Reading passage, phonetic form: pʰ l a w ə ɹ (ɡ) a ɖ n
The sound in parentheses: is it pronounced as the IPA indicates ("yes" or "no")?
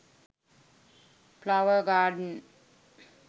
yes